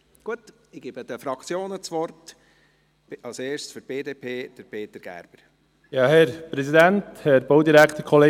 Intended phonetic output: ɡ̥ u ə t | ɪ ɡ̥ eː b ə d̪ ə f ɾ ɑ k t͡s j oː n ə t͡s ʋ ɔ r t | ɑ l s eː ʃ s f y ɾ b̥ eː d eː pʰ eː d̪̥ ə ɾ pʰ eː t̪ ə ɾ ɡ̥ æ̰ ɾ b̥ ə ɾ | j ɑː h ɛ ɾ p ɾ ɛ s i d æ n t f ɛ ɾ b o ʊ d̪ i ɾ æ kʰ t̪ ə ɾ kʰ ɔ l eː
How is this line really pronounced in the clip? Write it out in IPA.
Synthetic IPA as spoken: ɡ̥ u ə t | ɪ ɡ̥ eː b ə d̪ ə f ɾ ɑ k t͡s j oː n ə t͡s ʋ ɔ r t | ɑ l s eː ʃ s f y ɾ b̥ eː d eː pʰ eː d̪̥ ə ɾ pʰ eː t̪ ə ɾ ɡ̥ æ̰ ɾ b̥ ə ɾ | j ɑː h ɛ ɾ p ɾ ɛ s i d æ n t h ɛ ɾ b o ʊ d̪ i ɾ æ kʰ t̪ ə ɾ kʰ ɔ l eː